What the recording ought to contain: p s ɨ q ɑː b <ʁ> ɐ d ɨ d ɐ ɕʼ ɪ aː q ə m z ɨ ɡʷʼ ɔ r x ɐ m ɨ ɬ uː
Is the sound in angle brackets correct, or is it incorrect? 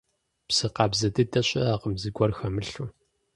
incorrect